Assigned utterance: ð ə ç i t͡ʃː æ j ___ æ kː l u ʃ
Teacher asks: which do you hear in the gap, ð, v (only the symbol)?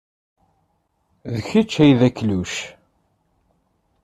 ð